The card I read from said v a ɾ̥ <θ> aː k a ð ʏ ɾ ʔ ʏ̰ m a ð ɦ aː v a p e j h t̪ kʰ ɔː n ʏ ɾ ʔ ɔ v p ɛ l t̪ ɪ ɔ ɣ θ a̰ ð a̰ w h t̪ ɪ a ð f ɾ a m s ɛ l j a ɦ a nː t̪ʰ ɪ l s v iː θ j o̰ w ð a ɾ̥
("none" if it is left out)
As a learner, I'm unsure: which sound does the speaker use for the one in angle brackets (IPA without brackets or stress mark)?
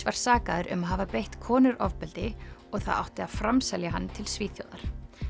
s